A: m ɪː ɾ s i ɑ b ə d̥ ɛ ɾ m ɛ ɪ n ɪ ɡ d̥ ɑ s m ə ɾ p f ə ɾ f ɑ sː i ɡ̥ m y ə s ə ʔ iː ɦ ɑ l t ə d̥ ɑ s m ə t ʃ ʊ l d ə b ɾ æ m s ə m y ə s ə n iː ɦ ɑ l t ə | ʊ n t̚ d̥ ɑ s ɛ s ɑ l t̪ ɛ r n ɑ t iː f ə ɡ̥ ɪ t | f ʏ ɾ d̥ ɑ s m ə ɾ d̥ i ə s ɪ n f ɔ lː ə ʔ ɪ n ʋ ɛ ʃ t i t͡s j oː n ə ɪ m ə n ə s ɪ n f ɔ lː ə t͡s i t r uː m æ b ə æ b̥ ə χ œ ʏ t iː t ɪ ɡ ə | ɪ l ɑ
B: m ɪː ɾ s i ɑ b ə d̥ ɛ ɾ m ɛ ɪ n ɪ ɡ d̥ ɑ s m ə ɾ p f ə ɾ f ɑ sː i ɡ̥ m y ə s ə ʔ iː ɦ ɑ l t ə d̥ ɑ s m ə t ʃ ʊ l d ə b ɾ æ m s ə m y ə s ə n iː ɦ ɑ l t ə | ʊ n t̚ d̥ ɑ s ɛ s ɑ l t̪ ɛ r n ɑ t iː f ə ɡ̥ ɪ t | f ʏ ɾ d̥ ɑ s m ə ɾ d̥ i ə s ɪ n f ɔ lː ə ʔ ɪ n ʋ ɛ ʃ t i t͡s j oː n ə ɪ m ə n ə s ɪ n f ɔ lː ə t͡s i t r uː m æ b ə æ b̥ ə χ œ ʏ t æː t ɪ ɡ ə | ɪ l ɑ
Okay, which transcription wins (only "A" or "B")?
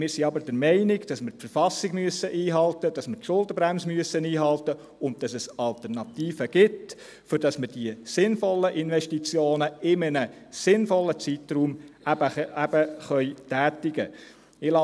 B